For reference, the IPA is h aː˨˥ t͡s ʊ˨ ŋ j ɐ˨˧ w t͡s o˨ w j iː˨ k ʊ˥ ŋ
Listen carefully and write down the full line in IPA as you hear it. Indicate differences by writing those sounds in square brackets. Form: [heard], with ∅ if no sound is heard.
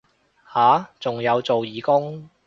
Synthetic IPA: h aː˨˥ t͡s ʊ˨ ŋ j ɐ˨˧ w t͡s o˨ w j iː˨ k ʊ˥ ŋ